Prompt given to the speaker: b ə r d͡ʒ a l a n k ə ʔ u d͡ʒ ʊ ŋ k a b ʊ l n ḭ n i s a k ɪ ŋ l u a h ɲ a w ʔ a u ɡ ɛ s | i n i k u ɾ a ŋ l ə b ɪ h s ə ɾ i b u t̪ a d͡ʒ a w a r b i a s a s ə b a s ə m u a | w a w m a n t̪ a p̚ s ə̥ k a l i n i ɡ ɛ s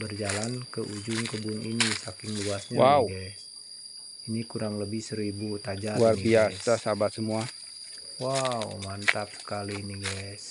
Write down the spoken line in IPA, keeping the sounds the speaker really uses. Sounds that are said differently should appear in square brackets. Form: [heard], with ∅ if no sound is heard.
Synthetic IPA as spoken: b ə r d͡ʒ a l a n k ə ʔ u d͡ʒ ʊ ŋ k [ə] b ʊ [∅] n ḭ n i s a k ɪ ŋ l u a [s] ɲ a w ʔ a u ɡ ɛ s | i n i k u ɾ a ŋ l ə b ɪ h s ə ɾ i b u t̪ a d͡ʒ a w a r b i a s a s [a] b a s ə m u a | w a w m a n t̪ a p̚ s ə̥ k a l i n i ɡ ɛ s